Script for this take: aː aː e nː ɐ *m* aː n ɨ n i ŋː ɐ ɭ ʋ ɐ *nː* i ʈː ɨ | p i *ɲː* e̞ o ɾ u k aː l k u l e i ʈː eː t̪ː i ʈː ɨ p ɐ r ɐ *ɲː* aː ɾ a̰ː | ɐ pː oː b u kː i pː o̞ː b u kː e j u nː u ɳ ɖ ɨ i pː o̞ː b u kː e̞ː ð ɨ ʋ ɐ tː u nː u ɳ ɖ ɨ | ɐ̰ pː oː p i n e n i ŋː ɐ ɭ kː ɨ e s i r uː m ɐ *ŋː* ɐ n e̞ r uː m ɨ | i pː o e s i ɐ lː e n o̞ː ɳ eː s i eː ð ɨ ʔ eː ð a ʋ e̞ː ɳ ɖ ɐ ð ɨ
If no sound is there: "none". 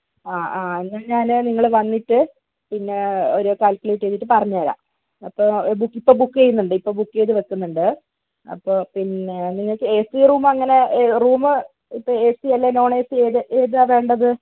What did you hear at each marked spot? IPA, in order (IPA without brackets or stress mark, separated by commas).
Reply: ɲ, nː, nː, ɲː, ŋː